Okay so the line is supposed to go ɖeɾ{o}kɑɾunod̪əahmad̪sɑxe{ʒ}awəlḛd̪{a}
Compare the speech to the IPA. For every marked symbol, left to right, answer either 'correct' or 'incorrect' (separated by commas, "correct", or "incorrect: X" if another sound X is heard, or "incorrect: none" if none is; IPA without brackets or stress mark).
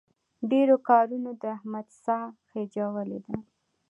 correct, incorrect: d͡ʒ, correct